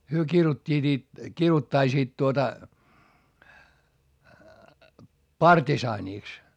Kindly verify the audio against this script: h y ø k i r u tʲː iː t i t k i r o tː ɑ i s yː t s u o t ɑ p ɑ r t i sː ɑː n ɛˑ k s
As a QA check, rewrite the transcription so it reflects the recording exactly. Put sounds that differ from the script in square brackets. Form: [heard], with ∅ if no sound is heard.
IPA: h y ø k i r u tʲː iː t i t k i r [u] tː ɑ i s [iː] t [t] u o t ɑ p ɑ r t i [s] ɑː n [iˑ] k s